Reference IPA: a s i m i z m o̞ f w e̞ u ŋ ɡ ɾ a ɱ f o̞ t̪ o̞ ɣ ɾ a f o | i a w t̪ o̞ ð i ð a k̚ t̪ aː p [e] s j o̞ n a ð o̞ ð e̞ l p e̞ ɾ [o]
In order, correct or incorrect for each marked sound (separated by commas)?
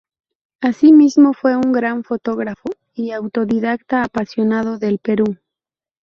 incorrect, incorrect